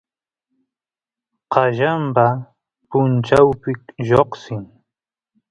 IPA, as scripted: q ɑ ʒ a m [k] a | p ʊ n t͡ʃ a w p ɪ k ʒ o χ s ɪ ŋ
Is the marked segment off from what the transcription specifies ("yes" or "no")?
yes